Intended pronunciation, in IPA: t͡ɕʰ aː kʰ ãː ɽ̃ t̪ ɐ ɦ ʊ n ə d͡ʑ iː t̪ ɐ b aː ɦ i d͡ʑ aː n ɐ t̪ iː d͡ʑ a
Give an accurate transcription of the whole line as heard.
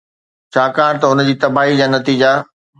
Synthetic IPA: t͡ɕʰ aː k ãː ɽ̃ t̪ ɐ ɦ ʊ n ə d͡ʑ iː t̪ ɐ b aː ɦ i d͡ʑ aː n ɐ t̪ iː d͡ʑ a